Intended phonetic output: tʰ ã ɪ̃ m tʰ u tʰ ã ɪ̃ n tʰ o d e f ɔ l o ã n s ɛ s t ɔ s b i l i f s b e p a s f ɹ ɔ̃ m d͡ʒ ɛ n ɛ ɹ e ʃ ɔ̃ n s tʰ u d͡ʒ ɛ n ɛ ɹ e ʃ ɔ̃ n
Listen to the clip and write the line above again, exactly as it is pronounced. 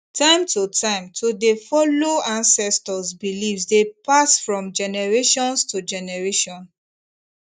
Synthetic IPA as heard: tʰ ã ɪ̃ m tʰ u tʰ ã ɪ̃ m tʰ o d e f ɔ l o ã n s ɛ s t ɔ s b i l i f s d e p a s f ɹ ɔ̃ m d͡ʒ ɛ n ɛ ɹ e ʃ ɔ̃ n s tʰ u d͡ʒ ɛ n ɛ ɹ e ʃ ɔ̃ n